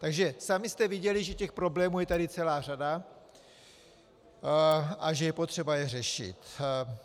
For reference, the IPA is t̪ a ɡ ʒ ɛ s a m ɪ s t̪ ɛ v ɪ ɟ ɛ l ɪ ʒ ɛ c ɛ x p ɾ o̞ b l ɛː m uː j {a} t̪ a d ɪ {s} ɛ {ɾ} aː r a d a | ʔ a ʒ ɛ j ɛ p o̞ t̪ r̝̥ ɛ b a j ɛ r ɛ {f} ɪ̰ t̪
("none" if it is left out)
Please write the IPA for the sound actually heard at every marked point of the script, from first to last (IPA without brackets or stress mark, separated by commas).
ɛ, t͡s, l, ʃ